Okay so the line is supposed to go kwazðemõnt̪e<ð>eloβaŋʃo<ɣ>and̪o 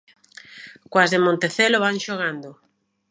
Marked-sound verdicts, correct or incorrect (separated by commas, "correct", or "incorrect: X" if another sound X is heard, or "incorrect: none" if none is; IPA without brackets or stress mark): incorrect: θ, correct